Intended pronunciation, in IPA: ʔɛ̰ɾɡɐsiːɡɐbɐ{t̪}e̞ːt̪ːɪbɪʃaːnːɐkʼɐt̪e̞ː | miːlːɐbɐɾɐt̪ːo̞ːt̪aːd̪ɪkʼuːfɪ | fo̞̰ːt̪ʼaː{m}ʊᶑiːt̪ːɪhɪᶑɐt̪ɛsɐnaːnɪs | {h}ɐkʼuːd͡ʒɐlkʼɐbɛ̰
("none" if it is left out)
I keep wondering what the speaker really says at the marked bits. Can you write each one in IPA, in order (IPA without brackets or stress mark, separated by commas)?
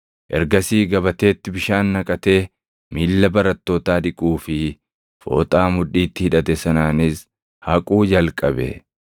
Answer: t̪, m, h